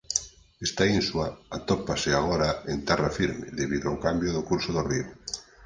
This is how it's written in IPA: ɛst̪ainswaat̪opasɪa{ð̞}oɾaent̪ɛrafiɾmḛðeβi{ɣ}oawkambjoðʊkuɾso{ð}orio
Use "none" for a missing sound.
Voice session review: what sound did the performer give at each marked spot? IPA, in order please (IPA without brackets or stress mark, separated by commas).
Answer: ɣ̞, ð, ð